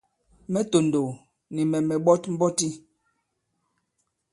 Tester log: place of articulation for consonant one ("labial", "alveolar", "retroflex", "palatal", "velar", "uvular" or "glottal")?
labial